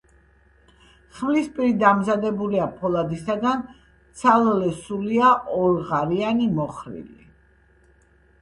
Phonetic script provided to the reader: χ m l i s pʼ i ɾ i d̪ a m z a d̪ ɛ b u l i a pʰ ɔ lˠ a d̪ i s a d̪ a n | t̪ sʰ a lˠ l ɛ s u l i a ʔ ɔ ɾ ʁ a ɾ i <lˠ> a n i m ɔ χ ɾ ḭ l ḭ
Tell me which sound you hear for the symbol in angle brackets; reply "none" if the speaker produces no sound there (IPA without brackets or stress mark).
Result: none